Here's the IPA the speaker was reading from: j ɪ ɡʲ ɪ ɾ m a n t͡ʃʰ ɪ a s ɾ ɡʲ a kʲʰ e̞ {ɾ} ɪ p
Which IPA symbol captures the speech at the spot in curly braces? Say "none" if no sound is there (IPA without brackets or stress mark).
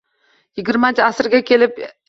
l